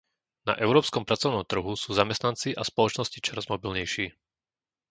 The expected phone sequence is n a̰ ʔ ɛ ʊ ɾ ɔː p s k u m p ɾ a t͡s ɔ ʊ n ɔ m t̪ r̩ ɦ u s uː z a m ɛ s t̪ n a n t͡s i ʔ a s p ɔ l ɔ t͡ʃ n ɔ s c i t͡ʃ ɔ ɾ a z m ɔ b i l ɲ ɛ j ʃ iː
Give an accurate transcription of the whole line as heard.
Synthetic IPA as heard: n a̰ ʔ ɛ ʊ ɾ ɔː p s k ɔ m p ɾ a t͡s ɔ ʊ n ɔ m t̪ r̩ ɦ u s uː z a m ɛ s t̪ n a n t͡s i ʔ a s p ɔ l ɔ t͡ʃ n ɔ s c i t͡ʃ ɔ ɾ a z m ɔ b i l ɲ ɛ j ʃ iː

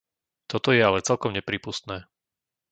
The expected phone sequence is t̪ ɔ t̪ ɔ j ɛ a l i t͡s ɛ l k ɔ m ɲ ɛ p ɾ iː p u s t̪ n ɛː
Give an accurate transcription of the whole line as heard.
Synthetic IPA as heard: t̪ ɔ t̪ ɔ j ɛ a l ɛ t͡s ɛ l k ɔ m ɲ ɛ p ɾ iː p u s t̪ n ɛː

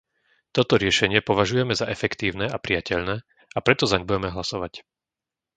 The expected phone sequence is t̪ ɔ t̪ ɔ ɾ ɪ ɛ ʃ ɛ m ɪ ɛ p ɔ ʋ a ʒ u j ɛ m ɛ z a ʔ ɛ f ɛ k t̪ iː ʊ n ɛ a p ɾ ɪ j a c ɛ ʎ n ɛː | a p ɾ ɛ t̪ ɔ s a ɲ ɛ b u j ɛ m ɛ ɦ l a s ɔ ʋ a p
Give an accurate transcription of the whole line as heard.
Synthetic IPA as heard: t̪ ɔ t̪ ɔ ɾ ɪ ɛ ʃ ɛ ɲ ɪ ɛ p ɔ ʋ a ʒ u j ɛ m ɛ z a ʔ ɛ f ɛ k t̪ iː ʊ n ɛ a p ɾ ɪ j a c ɛ ʎ n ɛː | a p ɾ ɛ t̪ ɔ z a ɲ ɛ b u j ɛ m ɛ ɦ l a s ɔ ʋ a c

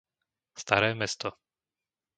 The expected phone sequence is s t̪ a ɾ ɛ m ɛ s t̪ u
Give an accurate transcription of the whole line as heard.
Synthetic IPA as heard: s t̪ a ɾ ɛː m ɛ s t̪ ɔ

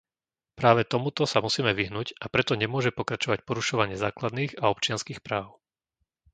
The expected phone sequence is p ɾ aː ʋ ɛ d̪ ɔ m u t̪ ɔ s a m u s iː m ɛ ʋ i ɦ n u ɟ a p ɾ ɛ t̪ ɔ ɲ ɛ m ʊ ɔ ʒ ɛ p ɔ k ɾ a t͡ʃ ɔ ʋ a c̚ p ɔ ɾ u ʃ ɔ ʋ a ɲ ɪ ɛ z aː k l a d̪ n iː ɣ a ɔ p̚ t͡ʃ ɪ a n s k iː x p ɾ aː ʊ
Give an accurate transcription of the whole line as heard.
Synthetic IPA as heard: p ɾ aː ʋ ɛ t̪ ɔ m u t̪ ɔ s a m u s iː m ɛ ʋ i ɦ n u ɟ a p ɾ ɛ t̪ ɔ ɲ ɛ m ʊ ɔ ʒ ɛ p ɔ k ɾ a t͡ʃ ɔ ʋ a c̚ p ɔ ɾ u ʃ ɔ ʋ a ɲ ɪ ɛ z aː k l a d̪ n iː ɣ a ɔ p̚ t͡ʃ ɪ a n s k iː x p ɾ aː ʊ

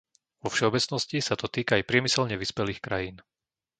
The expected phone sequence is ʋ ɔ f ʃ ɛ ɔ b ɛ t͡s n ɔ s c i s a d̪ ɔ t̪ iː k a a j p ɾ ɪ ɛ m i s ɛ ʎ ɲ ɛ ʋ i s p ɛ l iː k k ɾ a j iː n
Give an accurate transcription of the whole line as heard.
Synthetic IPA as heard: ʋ ɔ f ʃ ɛ ɔ b ɛ t͡s n ɔ s c i s a t̪ ɔ t̪ iː k a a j p ɾ ɪ ɛ m i s ɛ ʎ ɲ ɛ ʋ i s p ɛ l iː x k ɾ a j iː n

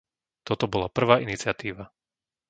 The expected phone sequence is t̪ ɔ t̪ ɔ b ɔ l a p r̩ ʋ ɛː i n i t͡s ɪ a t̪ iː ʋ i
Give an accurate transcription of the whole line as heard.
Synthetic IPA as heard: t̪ ɔ t̪ ɔ b ɔ l a p r̩ ʋ aː i n i t͡s ɪ a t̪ iː ʋ a

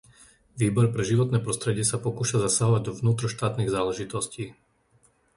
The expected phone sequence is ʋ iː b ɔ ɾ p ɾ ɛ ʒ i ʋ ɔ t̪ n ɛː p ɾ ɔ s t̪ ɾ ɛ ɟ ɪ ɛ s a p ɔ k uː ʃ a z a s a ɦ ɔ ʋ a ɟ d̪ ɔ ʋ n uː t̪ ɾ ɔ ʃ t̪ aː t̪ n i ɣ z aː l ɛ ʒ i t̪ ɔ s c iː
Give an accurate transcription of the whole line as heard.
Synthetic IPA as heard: ʋ iː b ɔ ɾ p ɾ ɛ ʒ i ʋ ɔ t̪ n ɛː p ɾ ɔ s t̪ ɾ ɛ ɟ ɪ ɛ s a p ɔ k uː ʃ a z a s a ɦ ɔ ʋ a ɟ d̪ ɔ ʋ n uː t̪ ɾ ɔ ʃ t̪ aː t̪ n i ɣ z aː l ɛ ʒ i t̪ ɔ s c iː

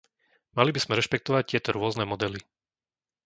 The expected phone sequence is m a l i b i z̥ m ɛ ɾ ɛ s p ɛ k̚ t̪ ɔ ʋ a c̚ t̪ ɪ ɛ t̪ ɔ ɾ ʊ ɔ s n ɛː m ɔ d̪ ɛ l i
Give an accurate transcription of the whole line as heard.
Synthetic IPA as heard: m a l i b i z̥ m ɛ ɾ ɛ ʃ p ɛ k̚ t̪ ɔ ʋ a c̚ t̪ ɪ ɛ t̪ ɔ ɾ ʊ ɔ z n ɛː m ɔ d̪ ɛ l i

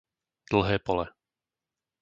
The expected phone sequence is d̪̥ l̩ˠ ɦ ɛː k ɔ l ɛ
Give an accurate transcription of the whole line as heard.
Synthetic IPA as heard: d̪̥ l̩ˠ ɦ ɛː p ɔ l ɛ

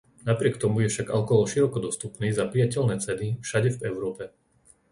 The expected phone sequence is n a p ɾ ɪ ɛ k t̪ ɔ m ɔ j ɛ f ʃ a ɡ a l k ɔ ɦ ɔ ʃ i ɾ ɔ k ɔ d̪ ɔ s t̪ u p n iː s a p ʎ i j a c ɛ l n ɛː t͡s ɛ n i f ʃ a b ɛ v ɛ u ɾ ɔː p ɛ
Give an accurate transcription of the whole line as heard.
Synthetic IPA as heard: n a p ɾ ɪ ɛ k t̪ ɔ m u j ɛ f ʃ a ɡ a l k ɔ ɦ ɔ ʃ i ɾ ɔ k ɔ d̪ ɔ s t̪ u p n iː z a p ɾ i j a c ɛ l n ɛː t͡s ɛ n i f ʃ a ɟ ɛ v ɛ ʊ ɾ ɔː p ɛ

